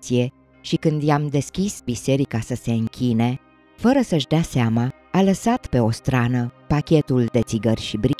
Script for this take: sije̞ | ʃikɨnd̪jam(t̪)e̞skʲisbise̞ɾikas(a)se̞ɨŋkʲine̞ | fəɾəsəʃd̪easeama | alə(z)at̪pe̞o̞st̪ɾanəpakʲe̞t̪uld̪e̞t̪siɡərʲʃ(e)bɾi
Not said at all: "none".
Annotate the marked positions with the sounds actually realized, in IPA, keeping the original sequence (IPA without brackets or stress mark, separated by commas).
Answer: d̪, ə, s, i